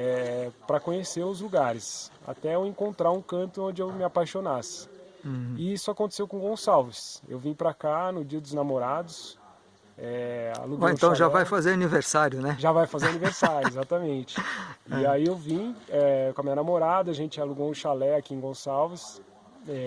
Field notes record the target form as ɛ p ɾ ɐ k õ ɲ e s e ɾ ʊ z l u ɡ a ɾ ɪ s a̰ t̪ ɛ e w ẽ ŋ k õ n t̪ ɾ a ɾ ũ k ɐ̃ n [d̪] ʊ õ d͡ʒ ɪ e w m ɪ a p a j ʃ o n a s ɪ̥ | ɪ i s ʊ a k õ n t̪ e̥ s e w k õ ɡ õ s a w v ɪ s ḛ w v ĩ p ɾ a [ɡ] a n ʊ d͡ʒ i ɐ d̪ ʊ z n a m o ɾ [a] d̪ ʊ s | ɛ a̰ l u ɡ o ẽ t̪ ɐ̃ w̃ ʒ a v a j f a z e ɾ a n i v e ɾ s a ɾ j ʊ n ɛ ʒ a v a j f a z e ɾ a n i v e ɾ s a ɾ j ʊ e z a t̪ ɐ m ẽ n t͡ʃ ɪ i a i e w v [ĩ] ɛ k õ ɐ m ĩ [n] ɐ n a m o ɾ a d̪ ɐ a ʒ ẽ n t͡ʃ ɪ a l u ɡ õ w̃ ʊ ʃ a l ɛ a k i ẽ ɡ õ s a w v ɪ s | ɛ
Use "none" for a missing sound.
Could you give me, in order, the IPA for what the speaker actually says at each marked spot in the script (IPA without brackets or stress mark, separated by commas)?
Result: t̪, k, a, ĩ, ɲ